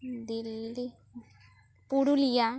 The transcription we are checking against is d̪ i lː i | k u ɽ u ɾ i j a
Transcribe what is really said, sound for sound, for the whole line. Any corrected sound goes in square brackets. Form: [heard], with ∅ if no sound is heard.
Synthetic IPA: d̪ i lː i | [p] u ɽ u [l] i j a